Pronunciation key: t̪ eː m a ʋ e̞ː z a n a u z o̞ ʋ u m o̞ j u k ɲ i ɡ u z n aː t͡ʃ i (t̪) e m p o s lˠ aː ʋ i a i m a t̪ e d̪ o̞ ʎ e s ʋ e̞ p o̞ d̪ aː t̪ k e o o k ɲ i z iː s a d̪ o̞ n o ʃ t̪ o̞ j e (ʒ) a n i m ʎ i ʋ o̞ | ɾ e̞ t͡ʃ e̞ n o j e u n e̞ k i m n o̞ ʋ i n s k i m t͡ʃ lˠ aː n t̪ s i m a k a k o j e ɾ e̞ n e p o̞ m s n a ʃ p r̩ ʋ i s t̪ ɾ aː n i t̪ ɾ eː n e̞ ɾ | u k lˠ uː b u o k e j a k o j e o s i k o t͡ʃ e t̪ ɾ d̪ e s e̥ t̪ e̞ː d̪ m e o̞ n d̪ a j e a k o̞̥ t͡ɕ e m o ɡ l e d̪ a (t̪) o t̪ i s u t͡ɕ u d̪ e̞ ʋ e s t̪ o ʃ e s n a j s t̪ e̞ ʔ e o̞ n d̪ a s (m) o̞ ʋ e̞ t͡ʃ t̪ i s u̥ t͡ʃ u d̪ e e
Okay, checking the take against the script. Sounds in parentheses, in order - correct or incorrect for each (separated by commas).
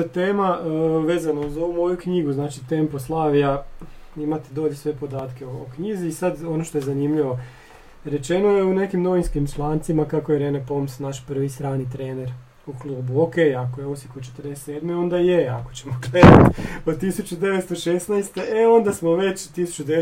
correct, incorrect, correct, correct